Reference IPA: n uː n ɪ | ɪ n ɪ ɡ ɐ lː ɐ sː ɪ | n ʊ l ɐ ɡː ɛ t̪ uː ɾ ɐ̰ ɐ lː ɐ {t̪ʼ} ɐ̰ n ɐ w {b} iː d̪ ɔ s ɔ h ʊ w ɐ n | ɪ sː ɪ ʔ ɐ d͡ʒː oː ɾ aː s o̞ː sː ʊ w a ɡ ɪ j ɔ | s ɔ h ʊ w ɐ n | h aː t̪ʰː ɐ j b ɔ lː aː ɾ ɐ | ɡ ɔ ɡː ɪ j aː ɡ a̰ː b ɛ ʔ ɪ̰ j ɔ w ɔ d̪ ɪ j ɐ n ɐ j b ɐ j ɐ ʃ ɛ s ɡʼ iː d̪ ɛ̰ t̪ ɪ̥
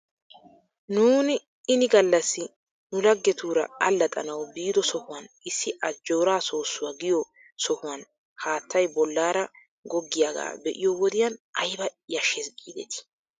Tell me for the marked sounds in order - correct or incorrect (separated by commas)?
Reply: correct, correct